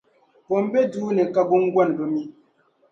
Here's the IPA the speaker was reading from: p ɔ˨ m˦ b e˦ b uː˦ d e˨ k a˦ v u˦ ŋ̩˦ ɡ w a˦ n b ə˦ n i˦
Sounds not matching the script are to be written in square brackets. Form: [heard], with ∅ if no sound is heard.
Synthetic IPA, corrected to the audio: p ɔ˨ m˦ b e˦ [d] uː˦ [n] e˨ k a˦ [b] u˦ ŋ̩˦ ɡ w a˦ n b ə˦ [m] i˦